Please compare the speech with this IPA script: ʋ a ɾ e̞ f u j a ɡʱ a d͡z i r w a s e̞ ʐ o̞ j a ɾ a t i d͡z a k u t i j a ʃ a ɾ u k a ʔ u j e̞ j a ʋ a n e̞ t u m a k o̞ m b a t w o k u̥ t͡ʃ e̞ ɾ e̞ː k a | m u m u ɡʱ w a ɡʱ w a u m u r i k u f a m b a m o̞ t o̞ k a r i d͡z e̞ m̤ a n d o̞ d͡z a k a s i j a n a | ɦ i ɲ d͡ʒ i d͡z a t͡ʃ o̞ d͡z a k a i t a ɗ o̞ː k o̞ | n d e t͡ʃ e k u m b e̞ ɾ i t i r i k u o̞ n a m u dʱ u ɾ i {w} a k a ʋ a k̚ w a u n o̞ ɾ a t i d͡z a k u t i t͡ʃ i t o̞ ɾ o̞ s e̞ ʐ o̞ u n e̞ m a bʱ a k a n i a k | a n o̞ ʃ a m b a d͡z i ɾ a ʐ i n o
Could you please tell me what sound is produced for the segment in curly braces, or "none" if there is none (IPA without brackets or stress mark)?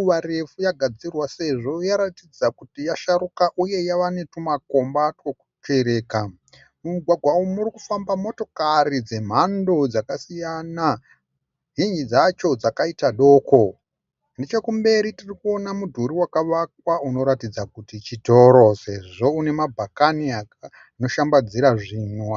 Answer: w